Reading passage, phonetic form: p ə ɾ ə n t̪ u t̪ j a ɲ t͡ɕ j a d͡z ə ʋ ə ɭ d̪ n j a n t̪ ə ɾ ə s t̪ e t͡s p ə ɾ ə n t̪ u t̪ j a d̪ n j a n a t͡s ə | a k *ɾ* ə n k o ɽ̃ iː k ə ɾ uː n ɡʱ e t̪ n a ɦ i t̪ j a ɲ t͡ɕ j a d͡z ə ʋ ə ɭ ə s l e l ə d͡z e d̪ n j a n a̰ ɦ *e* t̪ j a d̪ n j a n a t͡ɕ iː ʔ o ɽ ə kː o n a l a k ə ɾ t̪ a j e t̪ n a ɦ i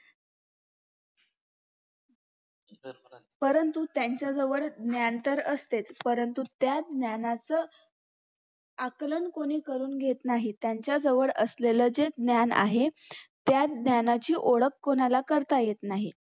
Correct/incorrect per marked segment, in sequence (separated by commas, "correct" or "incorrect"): incorrect, correct